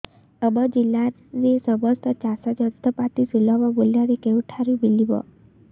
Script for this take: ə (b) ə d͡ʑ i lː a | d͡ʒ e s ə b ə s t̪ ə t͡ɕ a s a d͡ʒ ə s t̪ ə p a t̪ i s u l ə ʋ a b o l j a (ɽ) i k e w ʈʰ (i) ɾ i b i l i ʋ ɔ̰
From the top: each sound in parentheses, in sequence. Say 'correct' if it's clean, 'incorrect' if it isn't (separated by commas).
correct, incorrect, incorrect